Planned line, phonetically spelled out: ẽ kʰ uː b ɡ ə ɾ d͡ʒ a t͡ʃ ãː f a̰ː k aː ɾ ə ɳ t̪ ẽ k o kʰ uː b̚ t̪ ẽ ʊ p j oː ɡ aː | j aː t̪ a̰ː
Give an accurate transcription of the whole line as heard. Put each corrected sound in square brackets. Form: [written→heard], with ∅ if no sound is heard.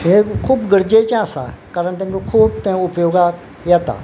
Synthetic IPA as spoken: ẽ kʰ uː b ɡ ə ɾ d͡ʒ [a→e] t͡ʃ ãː [f→s] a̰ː k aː ɾ ə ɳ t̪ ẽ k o kʰ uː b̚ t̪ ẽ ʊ p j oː ɡ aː | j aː t̪ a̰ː